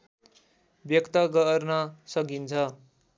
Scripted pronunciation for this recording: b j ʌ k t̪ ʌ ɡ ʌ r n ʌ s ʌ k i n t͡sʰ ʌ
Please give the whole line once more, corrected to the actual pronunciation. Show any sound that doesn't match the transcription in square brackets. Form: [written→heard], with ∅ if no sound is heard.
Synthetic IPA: b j ʌ k t̪ ʌ ɡ ʌ r n ʌ s ʌ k i n t͡sʰ ʌ